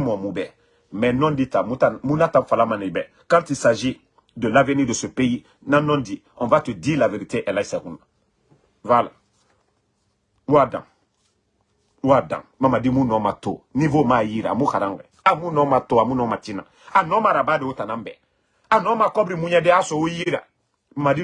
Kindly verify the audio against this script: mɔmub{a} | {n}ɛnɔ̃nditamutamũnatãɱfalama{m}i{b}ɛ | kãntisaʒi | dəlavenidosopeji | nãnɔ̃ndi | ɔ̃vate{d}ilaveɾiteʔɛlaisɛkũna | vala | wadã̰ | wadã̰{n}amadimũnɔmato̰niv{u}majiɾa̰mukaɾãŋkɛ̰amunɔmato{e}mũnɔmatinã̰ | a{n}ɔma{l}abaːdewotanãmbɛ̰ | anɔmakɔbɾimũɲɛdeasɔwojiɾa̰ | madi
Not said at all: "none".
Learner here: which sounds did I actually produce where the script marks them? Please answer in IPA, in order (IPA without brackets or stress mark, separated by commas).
ɛ, m, n, b, d, m, o, a, n, ɾ